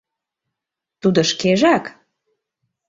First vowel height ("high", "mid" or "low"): high